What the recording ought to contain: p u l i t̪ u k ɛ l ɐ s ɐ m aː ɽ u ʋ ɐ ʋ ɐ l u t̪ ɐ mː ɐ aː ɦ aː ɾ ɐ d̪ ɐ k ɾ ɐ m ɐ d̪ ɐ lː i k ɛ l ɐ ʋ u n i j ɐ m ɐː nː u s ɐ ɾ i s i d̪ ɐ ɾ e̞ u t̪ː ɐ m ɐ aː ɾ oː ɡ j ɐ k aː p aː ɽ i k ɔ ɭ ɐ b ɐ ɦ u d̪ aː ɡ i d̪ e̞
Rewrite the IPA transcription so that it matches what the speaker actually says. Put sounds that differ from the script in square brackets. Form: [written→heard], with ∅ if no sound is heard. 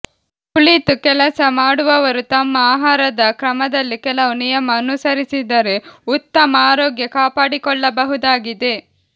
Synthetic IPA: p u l i t̪ u k ɛ l ɐ s ɐ m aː ɽ u ʋ ɐ ʋ ɐ [l→ɾ] u t̪ ɐ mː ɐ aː ɦ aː ɾ ɐ d̪ ɐ k ɾ ɐ m ɐ d̪ ɐ lː i k ɛ l ɐ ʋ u n i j ɐ m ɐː [nː→n] u s ɐ ɾ i s i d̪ ɐ ɾ e̞ u t̪ː ɐ m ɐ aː ɾ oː ɡ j ɐ k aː p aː ɽ i k ɔ [ɭ→ɭː] ɐ b ɐ ɦ u d̪ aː ɡ i d̪ e̞

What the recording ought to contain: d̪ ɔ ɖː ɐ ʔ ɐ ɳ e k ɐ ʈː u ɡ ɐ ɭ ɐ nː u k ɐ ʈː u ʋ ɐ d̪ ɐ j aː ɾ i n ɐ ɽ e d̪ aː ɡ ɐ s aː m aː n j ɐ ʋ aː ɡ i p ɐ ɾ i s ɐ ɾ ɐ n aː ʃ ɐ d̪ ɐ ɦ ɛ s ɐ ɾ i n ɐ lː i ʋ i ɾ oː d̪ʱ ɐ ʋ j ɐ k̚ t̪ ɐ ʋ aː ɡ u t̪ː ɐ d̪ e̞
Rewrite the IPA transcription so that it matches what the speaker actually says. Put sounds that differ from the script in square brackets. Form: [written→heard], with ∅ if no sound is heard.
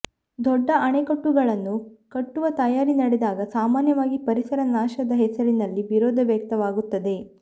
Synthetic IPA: d̪ ɔ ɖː ɐ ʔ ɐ ɳ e k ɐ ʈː u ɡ ɐ ɭ ɐ nː u k ɐ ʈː u ʋ ɐ [d̪→t̪] ɐ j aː ɾ i n ɐ ɽ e d̪ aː ɡ ɐ s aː m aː n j ɐ ʋ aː ɡ i p ɐ ɾ i s ɐ ɾ ɐ n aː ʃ ɐ d̪ ɐ ɦ ɛ s ɐ ɾ i n ɐ lː i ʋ i ɾ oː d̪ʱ ɐ ʋ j ɐ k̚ t̪ ɐ ʋ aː ɡ u t̪ː ɐ d̪ e̞

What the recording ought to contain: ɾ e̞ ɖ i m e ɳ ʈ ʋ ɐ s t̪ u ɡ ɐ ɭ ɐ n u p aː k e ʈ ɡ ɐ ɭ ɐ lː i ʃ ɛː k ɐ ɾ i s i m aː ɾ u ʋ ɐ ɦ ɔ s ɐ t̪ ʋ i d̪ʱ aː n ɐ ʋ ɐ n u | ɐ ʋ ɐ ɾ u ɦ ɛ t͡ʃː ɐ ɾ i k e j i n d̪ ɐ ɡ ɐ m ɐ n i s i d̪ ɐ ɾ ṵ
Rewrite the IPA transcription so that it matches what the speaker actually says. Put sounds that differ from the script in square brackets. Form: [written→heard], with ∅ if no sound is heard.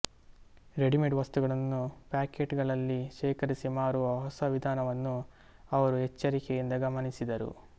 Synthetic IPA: ɾ e̞ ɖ i m e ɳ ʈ ʋ ɐ s t̪ u ɡ ɐ ɭ ɐ [n→nː] u p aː k e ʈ ɡ ɐ ɭ ɐ lː i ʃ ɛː k ɐ ɾ i s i m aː ɾ u ʋ ɐ ɦ ɔ s ɐ [t̪→∅] ʋ i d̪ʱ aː n ɐ ʋ ɐ [n→nː] u | ɐ ʋ ɐ ɾ u ɦ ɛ t͡ʃː ɐ ɾ i k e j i n d̪ ɐ ɡ ɐ m ɐ n i s i d̪ ɐ ɾ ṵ

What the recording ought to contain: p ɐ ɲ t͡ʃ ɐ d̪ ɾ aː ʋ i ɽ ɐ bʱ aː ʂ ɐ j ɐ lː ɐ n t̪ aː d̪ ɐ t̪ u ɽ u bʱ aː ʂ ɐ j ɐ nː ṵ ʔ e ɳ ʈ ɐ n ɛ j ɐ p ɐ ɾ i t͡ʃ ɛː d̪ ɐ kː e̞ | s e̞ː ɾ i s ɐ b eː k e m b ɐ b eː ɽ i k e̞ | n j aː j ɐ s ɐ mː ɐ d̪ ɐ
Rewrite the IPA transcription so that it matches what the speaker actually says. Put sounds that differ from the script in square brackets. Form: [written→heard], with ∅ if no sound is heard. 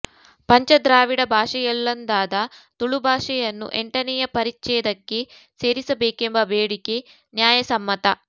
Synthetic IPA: p ɐ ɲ t͡ʃ ɐ d̪ ɾ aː ʋ i ɽ ɐ bʱ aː ʂ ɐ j ɐ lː ɐ n [t̪→d̪] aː d̪ ɐ t̪ u [ɽ→ɭ] u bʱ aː ʂ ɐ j ɐ nː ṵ ʔ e ɳ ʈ ɐ n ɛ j ɐ p ɐ ɾ i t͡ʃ ɛː d̪ ɐ kː e̞ | s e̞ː ɾ i s ɐ b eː k e m b ɐ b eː ɽ i k e̞ | n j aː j ɐ s ɐ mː ɐ [d̪→t̪] ɐ

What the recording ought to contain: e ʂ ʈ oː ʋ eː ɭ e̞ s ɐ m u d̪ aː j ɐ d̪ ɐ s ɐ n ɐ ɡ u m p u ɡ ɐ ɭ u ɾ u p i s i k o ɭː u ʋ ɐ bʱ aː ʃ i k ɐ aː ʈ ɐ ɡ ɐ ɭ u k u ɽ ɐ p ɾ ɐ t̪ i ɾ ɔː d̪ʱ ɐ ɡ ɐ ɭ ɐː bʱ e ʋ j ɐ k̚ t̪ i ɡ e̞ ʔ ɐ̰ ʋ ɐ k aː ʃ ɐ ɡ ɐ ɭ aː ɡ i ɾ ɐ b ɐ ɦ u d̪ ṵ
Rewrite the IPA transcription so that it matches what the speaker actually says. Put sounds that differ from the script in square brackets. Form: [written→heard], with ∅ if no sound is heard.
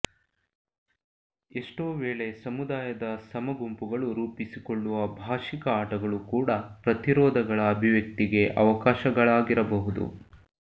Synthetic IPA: e ʂ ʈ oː ʋ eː ɭ e̞ s ɐ m u d̪ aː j ɐ d̪ ɐ s ɐ [n→m] ɐ ɡ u m p u ɡ ɐ ɭ u ɾ [u→uː] p i s i k o ɭː u ʋ ɐ bʱ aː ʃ i k ɐ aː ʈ ɐ ɡ ɐ ɭ u k [u→uː] ɽ ɐ p ɾ ɐ t̪ i ɾ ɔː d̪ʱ ɐ ɡ ɐ ɭ ɐː bʱ [e→i] ʋ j ɐ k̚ t̪ i ɡ e̞ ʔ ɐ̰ ʋ ɐ k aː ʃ ɐ ɡ ɐ ɭ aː ɡ i ɾ ɐ b ɐ ɦ u d̪ ṵ

